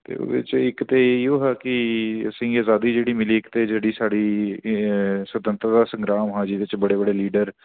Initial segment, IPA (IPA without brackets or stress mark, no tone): t̪